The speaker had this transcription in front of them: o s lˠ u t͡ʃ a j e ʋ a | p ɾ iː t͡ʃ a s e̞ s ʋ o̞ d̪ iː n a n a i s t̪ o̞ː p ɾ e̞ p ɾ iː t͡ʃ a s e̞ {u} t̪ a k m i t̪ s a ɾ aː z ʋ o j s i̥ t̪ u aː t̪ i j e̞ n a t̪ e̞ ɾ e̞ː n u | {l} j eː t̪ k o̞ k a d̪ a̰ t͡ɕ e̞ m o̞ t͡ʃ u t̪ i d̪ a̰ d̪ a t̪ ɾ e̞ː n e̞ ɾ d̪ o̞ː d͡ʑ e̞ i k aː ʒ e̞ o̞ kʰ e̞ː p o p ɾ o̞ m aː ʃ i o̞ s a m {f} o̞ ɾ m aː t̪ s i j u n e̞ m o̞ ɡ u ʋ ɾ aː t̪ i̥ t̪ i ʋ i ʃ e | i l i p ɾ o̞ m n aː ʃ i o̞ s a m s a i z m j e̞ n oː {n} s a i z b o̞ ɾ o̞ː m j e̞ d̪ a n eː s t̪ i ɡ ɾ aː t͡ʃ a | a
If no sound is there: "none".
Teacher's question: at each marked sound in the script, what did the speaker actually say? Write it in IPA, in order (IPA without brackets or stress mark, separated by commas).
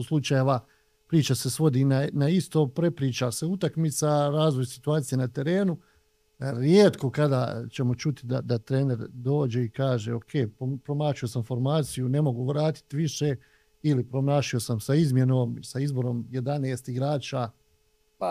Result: u, ɾ, f, m